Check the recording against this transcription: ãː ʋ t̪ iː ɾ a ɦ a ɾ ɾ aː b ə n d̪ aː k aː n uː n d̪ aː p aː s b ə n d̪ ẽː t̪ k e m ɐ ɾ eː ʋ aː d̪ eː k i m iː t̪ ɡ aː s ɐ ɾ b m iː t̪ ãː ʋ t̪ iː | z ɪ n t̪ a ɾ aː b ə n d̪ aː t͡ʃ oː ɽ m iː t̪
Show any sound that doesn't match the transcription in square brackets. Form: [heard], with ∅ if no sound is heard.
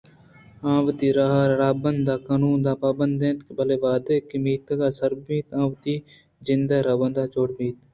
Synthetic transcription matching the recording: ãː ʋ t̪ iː ɾ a ɦ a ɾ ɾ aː b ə n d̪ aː k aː n uː n d̪ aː p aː [∅] b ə n d̪ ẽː t̪ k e [b] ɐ [l] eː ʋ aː d̪ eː k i m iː t̪ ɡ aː s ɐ ɾ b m iː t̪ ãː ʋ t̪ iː | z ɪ n [d̪] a ɾ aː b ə n d̪ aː t͡ʃ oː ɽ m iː t̪